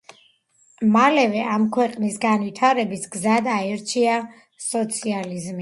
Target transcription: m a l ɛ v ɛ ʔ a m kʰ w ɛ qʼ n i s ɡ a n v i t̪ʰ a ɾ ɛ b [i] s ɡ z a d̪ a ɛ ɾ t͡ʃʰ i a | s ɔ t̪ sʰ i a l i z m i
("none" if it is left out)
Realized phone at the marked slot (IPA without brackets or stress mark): i